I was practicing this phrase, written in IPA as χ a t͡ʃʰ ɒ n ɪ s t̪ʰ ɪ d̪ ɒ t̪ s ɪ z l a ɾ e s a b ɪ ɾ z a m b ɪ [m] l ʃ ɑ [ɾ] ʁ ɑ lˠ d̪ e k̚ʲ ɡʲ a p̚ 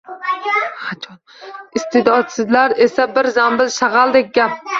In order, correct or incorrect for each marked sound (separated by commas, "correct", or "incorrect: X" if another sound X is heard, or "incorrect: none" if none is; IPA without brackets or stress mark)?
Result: incorrect: none, incorrect: none